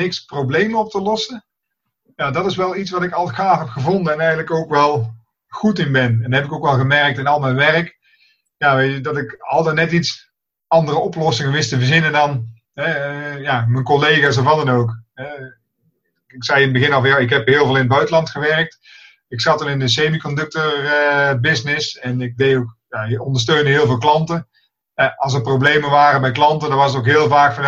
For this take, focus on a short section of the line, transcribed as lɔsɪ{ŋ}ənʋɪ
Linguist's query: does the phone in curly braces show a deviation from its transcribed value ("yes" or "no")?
no